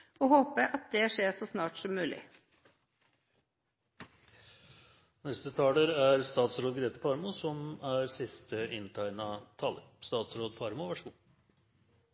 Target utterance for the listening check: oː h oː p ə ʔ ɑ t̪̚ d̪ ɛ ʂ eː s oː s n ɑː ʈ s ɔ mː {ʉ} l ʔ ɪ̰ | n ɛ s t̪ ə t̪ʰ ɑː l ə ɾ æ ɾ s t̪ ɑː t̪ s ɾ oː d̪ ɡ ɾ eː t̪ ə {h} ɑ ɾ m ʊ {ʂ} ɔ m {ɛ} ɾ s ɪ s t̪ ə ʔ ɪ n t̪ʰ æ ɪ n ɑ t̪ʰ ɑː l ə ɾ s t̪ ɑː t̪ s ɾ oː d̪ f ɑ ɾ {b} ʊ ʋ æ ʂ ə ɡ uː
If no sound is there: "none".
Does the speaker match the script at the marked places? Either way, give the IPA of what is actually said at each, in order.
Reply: ʉː, f, s, æ, m

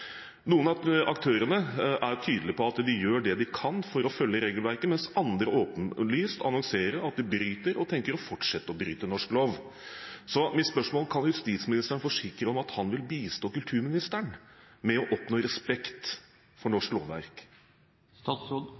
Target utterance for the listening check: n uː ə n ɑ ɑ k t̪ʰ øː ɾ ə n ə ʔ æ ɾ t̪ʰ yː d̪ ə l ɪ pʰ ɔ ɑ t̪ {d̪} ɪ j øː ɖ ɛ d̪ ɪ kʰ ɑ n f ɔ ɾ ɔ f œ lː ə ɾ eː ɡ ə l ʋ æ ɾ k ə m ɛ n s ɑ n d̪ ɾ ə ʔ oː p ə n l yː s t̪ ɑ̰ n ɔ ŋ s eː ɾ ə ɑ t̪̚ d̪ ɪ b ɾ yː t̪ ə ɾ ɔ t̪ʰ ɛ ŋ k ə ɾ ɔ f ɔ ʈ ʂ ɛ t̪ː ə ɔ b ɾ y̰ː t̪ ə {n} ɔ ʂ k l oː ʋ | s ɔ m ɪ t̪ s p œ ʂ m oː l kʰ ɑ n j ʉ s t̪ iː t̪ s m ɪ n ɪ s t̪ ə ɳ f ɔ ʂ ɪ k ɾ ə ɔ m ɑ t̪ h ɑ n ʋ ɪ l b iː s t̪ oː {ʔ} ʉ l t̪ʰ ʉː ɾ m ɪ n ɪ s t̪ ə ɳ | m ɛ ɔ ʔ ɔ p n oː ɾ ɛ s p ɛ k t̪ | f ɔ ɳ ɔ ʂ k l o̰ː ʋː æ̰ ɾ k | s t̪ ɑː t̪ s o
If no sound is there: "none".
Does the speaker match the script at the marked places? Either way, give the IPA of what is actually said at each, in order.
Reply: d̪, n, k

